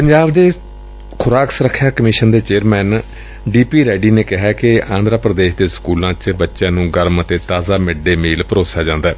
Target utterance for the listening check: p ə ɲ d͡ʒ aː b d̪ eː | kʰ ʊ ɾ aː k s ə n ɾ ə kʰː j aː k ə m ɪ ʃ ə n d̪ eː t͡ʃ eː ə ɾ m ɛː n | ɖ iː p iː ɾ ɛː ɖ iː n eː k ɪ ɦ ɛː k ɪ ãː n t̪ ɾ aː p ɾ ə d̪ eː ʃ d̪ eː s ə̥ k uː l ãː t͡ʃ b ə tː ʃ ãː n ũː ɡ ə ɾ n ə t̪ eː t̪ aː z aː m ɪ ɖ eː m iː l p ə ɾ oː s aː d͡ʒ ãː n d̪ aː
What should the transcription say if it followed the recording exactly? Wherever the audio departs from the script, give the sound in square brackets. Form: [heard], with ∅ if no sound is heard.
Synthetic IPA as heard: p ə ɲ d͡ʒ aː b d̪ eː | kʰ ʊ ɾ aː k s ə [∅] ɾ ə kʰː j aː k ə m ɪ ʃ ə n d̪ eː t͡ʃ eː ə ɾ m ɛː n | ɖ iː p iː ɾ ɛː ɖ iː n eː k ɪ ɦ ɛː k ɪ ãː n [d̪] ɾ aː p ɾ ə d̪ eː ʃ d̪ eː s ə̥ k uː l ãː t͡ʃ b ə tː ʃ ãː n ũː ɡ ə ɾ [m] ə t̪ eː t̪ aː z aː m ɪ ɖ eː m iː l p ə ɾ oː s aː d͡ʒ ãː n d̪ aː